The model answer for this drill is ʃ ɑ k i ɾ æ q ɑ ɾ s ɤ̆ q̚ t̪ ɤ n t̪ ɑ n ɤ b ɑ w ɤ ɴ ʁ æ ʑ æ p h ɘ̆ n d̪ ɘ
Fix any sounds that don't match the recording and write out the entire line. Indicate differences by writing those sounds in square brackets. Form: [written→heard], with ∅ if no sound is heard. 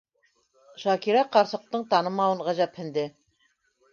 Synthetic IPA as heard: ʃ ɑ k i ɾ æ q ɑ ɾ s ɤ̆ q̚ t̪ ɤ [n→ɴ] t̪ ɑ n ɤ [b→m] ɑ w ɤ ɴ ʁ æ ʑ æ p h ɘ̆ n d̪ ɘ